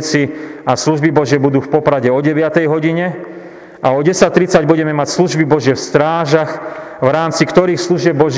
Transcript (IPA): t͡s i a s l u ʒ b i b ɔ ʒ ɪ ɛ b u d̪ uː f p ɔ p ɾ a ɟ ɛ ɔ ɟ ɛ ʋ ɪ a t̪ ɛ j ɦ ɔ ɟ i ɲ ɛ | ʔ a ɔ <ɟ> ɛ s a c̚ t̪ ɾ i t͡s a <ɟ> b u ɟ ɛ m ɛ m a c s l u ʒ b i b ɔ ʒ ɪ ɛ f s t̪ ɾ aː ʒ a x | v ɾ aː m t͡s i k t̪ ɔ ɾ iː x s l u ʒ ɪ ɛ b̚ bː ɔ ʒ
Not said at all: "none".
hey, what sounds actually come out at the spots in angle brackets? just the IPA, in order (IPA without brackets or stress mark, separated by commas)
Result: ɟ, ɟ